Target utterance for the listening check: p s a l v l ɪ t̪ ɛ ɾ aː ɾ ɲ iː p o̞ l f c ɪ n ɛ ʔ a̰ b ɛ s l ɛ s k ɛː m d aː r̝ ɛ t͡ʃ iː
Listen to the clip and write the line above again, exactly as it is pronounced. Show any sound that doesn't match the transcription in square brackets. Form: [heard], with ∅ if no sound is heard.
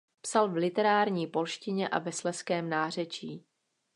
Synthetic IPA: p s a l v l ɪ t̪ ɛ ɾ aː ɾ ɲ iː p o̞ l [ʃ] c ɪ [ɲ] ɛ ʔ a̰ [v] ɛ s l ɛ s k ɛː m [n] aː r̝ ɛ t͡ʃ iː